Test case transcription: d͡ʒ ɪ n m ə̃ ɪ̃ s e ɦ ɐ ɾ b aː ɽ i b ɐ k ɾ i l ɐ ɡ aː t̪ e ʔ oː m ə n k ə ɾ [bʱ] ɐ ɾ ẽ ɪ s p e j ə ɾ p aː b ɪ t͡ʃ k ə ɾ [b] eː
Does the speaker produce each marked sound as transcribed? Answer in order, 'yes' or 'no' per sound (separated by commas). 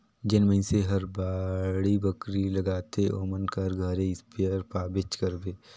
no, yes